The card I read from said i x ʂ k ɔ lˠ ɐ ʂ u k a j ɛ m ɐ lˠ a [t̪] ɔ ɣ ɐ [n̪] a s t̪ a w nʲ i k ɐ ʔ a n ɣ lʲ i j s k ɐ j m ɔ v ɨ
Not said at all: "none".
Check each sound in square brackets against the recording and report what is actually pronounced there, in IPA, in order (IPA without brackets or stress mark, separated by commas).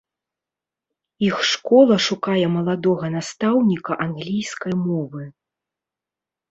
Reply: d̪, n̪